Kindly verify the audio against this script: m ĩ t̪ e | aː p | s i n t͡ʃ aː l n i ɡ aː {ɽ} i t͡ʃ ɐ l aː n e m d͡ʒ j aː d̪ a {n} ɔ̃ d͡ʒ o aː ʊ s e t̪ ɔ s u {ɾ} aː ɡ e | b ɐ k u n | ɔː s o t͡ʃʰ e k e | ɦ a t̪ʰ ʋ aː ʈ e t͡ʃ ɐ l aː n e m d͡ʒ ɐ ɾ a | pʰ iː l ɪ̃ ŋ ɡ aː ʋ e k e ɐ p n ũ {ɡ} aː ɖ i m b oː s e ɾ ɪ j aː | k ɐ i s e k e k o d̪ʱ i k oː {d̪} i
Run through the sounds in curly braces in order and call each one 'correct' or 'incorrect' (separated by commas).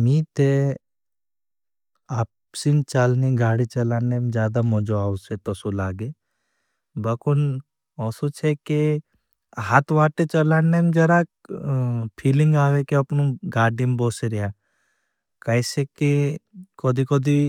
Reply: correct, incorrect, incorrect, correct, correct